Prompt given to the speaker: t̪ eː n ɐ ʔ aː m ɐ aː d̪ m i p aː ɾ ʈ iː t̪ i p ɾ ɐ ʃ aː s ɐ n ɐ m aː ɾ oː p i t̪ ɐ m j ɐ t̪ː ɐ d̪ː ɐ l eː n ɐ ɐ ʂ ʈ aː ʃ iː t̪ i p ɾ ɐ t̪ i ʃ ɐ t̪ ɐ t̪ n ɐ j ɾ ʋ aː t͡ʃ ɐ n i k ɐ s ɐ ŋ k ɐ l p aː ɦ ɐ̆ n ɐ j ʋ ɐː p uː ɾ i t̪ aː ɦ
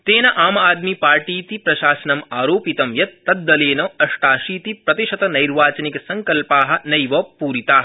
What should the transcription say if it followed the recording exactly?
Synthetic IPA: t̪ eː n ɐ ʔ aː m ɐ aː d̪ m i p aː ɾ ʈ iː t̪ i p ɾ ɐ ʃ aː s ɐ n ɐ m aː ɾ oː p i t̪ ɐ m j ɐ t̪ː ɐ d̪ː ɐ l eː n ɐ ɐ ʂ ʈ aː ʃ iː t̪ i p ɾ ɐ t̪ i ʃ ɐ t̪ ɐ n ɐ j ɾ ʋ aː t͡ʃ ɐ n i k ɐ s ɐ ŋ k ɐ l p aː ɦ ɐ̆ n ɐ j ʋ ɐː p uː ɾ i t̪ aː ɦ